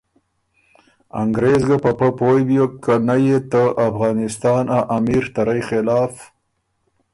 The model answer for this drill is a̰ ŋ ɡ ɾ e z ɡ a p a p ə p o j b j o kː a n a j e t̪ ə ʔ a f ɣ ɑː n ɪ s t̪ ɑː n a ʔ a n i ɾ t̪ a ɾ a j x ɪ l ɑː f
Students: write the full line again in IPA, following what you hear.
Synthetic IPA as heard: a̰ ŋ ɡ ɾ e z ɡ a p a p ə p o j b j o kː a n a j e t̪ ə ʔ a f ɣ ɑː n ɪ s t̪ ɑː n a ʔ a m i ɾ t̪ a ɾ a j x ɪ l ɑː f